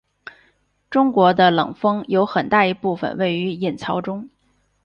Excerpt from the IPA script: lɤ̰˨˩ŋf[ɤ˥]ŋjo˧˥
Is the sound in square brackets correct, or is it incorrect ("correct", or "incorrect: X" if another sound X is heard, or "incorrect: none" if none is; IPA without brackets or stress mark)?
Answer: correct